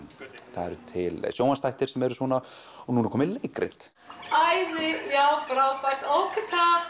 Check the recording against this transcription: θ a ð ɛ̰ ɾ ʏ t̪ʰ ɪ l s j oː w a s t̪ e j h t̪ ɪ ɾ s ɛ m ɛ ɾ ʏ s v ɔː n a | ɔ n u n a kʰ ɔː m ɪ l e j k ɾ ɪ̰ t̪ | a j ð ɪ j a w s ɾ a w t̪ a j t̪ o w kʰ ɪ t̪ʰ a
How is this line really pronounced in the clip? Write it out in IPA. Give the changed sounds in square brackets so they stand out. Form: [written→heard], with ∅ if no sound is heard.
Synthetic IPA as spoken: θ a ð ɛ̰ ɾ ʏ t̪ʰ ɪ l s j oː w a s t̪ [e→a] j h t̪ ɪ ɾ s ɛ m ɛ ɾ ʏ s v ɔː n a | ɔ n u n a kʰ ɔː m ɪ l e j k ɾ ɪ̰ t̪ | a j ð ɪ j a w [s→f] ɾ a w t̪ a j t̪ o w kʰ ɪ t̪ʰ a